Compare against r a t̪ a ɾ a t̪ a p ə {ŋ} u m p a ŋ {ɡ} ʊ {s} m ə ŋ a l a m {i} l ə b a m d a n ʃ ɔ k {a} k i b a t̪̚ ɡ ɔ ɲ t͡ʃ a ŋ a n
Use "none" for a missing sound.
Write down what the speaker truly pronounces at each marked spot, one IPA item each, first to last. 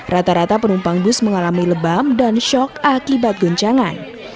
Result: n, b, s, i, a

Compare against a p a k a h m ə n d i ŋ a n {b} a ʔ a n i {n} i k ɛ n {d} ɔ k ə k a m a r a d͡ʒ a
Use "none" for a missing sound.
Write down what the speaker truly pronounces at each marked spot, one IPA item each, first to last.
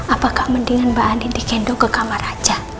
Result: b, d, d

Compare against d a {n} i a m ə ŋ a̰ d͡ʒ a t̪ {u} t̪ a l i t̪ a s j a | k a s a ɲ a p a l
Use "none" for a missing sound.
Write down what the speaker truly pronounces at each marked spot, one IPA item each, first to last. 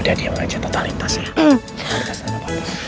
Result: d, o

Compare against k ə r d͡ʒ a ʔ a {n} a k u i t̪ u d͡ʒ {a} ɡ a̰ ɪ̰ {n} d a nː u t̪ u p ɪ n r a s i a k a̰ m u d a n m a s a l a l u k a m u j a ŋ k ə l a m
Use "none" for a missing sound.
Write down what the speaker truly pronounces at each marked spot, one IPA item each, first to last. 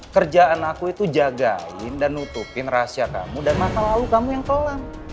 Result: n, a, n

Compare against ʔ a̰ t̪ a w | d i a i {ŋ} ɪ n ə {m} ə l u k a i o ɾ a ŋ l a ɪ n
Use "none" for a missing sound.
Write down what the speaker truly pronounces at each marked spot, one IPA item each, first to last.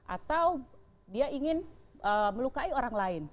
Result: ŋ, m

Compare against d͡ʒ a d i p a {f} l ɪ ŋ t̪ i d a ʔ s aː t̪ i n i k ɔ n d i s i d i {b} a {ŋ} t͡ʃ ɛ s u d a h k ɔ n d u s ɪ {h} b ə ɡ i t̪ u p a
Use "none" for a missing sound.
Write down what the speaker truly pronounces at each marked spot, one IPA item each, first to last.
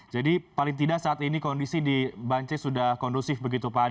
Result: none, b, ɲ, f

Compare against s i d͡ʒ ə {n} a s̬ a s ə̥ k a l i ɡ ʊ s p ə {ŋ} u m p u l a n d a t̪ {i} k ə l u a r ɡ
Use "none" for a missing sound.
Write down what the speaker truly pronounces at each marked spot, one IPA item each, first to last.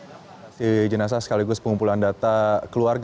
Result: n, ŋ, a

